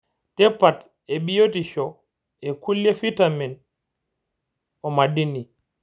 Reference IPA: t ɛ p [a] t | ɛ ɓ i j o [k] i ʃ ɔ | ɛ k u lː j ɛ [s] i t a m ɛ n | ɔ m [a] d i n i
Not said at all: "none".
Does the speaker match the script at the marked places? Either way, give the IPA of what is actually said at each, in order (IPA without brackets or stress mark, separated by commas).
a, t, f, a